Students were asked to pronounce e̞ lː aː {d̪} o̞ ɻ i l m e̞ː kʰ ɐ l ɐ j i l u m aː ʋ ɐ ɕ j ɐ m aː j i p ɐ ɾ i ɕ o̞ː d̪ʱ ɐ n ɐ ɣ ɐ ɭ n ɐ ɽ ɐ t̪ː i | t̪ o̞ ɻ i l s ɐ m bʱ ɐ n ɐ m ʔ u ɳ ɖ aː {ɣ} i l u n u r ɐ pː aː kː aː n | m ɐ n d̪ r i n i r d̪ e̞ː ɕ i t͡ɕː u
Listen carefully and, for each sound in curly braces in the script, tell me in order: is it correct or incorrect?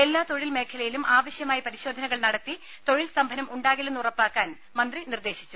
incorrect, correct

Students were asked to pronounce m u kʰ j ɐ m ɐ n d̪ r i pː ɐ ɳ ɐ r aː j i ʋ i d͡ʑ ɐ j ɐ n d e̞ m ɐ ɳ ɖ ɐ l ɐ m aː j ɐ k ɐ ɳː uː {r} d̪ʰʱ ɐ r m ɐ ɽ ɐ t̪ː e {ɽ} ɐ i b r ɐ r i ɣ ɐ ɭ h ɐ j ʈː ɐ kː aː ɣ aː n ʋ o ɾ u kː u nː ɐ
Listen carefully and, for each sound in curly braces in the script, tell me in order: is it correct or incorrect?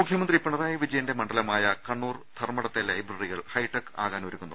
correct, incorrect

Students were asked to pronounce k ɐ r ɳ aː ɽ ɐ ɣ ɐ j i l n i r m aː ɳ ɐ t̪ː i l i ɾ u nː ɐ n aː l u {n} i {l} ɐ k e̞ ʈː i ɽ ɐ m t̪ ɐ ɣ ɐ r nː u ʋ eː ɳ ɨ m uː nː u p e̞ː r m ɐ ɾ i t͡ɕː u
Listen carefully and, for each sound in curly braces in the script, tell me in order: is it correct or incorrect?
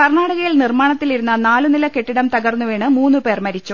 correct, correct

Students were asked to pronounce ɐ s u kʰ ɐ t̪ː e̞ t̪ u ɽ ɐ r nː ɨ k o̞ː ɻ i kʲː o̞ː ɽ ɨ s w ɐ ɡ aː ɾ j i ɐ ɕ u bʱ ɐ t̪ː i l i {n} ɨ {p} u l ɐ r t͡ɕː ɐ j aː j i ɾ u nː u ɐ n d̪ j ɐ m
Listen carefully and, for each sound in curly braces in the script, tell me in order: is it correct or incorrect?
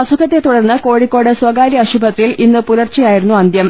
incorrect, correct

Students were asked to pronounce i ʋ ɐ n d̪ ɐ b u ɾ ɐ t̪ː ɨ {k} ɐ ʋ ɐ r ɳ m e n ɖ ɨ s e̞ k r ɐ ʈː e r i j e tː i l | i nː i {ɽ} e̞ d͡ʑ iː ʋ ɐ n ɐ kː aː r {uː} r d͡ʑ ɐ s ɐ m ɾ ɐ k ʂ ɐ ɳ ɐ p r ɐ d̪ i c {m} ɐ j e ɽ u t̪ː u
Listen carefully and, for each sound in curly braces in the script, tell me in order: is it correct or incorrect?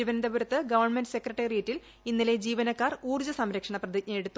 incorrect, incorrect, correct, incorrect

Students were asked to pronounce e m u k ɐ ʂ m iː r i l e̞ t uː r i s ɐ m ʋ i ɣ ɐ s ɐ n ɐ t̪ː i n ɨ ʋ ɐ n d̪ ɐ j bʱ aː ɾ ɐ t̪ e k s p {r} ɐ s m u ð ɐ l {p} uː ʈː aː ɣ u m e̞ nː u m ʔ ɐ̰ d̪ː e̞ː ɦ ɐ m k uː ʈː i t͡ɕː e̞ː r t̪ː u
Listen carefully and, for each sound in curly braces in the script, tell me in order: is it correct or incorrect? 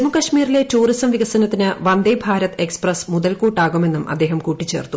correct, incorrect

